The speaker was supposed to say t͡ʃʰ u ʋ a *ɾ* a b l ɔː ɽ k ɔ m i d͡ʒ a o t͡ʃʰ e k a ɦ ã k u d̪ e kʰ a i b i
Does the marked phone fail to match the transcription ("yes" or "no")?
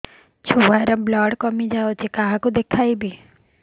no